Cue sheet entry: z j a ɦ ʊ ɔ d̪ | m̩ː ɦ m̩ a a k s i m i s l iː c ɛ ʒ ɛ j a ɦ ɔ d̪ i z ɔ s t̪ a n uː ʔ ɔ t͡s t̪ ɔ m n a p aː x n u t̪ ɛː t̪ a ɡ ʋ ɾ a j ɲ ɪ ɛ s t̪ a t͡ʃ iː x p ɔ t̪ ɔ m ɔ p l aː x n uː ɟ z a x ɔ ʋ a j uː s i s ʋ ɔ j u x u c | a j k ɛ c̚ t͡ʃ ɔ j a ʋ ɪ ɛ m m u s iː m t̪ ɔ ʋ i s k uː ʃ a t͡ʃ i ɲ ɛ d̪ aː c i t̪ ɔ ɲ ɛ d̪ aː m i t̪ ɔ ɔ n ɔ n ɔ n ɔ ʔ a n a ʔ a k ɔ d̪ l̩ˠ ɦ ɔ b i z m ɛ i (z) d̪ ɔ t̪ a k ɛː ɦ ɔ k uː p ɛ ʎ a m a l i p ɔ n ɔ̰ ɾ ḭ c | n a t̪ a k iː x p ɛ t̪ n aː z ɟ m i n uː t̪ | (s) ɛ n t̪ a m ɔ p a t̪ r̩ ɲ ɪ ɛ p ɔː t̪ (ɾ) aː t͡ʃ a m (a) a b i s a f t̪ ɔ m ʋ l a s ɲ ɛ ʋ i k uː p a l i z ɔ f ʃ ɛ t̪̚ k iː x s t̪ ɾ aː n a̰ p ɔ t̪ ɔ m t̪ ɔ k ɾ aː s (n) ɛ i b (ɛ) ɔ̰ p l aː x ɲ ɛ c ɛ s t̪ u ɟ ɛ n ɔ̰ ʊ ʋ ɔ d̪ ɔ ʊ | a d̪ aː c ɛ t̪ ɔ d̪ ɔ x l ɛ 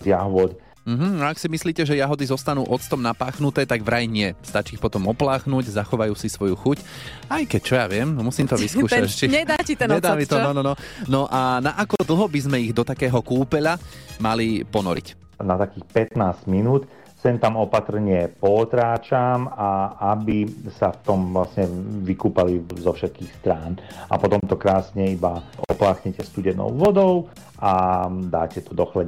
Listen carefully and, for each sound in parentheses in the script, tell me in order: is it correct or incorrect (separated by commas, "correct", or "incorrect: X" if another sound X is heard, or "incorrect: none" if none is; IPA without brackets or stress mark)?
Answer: incorrect: ɣ, correct, correct, correct, incorrect: ɲ, incorrect: a